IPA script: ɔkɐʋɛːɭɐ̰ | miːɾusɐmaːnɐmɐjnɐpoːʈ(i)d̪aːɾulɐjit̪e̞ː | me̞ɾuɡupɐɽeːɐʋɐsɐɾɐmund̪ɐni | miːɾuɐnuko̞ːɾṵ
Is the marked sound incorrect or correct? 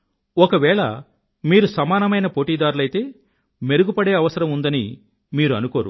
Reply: incorrect